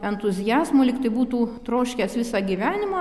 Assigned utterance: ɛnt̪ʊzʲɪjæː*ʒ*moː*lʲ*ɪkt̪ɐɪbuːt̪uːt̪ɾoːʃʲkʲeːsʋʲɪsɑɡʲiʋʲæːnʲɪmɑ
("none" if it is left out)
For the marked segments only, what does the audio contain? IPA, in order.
z, lʲ

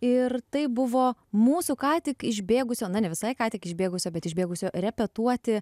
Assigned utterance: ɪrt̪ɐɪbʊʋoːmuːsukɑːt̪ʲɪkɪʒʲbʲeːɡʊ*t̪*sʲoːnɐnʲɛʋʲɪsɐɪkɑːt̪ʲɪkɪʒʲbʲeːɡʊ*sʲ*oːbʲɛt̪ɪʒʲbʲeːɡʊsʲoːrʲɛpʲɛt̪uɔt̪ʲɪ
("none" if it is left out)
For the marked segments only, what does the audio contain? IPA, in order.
none, sʲ

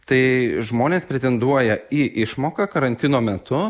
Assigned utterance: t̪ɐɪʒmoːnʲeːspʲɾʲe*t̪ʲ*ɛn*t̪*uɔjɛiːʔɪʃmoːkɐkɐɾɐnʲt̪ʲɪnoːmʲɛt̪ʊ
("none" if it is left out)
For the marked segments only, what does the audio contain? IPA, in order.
t̪ʲ, d̪

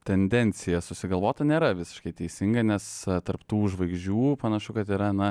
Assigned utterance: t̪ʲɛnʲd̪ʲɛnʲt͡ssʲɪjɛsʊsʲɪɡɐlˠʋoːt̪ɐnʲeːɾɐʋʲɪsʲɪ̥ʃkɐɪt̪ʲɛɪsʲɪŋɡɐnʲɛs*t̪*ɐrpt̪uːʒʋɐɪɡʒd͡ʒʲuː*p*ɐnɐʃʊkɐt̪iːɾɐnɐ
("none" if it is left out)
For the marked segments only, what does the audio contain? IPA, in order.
t̪, p

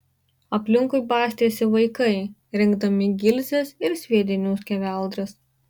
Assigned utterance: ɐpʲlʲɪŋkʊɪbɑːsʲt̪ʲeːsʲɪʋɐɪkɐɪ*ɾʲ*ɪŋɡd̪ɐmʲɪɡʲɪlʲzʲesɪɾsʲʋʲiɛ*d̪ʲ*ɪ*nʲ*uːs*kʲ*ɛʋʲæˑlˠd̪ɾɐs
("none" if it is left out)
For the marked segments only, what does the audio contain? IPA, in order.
ɾʲ, d̪ʲ, nʲ, kʲ

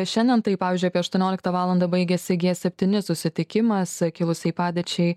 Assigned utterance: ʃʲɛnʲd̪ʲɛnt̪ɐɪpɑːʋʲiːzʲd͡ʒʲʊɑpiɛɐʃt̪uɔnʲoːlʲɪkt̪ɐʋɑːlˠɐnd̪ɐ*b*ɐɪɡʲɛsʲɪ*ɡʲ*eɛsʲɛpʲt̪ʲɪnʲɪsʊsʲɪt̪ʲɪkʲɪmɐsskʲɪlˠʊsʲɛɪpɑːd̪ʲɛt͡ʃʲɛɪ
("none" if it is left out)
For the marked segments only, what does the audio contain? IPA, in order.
b, ɡʲ

